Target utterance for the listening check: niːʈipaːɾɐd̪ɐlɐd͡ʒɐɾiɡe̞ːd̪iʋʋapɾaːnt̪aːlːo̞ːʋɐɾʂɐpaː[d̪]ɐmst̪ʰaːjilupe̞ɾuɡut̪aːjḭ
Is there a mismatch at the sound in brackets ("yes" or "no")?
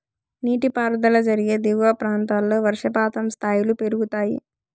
yes